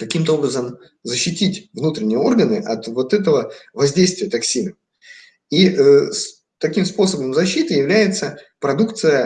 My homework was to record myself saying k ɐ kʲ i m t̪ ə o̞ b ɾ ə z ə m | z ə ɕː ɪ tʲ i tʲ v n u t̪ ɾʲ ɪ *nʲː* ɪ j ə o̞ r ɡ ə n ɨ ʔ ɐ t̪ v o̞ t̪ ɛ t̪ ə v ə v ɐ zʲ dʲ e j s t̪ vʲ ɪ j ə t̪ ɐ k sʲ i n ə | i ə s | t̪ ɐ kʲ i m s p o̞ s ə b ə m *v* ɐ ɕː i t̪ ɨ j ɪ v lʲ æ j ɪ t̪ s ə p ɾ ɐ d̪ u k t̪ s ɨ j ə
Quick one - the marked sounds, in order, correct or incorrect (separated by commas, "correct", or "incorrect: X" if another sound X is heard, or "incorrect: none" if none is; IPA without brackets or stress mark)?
incorrect: nʲ, incorrect: z